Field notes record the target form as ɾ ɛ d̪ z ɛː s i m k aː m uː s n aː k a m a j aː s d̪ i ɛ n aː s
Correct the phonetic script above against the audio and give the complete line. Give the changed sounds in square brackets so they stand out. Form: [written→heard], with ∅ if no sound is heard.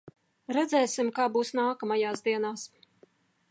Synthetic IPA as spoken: ɾ ɛ d̪ z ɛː s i m k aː [m→b] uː s n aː k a m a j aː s d̪ i ɛ n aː s